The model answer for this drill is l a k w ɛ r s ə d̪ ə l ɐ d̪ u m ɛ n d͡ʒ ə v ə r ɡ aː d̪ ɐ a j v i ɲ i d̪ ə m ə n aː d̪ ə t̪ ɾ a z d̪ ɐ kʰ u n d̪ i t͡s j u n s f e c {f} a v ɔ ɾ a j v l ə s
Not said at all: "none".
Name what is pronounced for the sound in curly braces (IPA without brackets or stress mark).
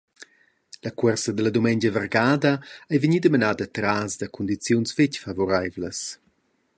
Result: f